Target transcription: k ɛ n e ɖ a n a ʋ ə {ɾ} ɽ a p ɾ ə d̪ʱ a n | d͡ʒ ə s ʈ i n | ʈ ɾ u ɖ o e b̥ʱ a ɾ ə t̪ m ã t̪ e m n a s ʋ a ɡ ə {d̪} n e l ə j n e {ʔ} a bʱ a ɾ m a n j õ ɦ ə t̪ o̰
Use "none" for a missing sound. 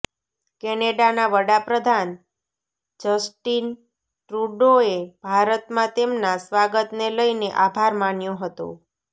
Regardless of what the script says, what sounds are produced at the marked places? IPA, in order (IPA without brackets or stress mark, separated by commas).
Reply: none, t̪, ʔ